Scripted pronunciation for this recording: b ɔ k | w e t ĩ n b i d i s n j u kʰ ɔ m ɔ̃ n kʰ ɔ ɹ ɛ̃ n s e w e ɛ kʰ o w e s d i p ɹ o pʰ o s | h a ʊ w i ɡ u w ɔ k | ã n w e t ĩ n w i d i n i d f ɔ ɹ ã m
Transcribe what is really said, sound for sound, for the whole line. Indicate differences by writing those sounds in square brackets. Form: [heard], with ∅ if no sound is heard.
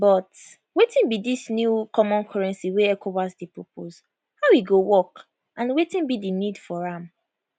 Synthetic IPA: b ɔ [t] | w e t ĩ n b i d i s n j u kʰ ɔ m ɔ̃ n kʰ ɔ ɹ ɛ̃ n s [i] w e ɛ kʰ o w [a] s d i p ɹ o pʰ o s | h a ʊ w i ɡ [o] w ɔ k | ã n w e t ĩ n [b] i d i n i d f ɔ ɹ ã m